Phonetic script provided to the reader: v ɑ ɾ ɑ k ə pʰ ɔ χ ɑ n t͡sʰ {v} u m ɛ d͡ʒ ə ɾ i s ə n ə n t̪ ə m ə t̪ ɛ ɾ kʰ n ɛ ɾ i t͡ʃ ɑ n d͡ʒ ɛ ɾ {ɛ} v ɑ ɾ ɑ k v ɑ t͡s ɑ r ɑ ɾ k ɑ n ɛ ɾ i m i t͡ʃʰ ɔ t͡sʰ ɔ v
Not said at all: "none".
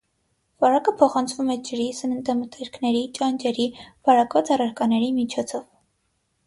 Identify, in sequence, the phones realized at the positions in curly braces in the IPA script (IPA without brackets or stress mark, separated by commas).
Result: v, i